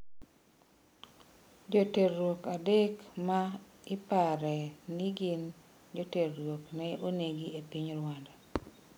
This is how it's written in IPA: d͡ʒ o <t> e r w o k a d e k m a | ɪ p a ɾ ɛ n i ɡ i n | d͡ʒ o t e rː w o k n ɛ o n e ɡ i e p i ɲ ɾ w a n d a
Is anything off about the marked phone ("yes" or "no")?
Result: no